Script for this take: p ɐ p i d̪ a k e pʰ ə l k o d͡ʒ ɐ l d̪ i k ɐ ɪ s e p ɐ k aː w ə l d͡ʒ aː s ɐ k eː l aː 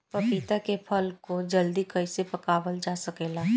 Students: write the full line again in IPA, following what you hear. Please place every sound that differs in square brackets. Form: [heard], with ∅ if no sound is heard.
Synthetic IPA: p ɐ p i [t̪] a k e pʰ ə l k o d͡ʒ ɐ l d̪ i k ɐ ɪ s e p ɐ k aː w ə l d͡ʒ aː s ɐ k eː l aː